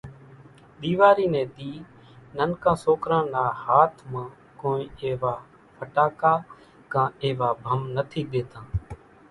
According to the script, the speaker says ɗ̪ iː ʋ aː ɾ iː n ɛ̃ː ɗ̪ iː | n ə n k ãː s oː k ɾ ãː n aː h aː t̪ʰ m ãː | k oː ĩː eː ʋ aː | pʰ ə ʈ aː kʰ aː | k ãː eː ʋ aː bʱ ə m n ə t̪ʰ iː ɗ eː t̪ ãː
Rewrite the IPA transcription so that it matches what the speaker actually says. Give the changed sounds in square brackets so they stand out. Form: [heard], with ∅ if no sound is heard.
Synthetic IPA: ɗ̪ iː ʋ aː ɾ iː n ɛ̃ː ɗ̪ iː | n ə n k ãː s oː k ɾ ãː n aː h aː t̪ʰ m ãː | k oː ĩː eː ʋ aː | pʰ ə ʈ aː [k] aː | k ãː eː ʋ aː bʱ ə m n ə t̪ʰ iː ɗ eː t̪ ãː